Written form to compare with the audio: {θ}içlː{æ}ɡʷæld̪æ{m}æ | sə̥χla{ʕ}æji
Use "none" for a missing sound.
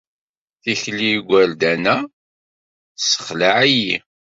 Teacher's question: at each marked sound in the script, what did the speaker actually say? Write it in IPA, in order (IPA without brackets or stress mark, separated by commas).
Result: θ, i, n, ʕ